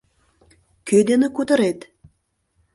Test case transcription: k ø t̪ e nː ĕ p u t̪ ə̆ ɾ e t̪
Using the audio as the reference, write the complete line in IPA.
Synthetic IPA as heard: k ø d̪ e n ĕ k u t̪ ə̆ ɾ e t̪